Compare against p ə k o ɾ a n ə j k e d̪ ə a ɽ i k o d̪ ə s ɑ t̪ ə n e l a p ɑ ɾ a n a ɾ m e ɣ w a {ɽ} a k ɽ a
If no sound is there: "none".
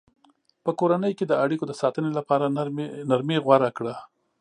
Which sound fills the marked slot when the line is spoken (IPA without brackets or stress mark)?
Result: ɾ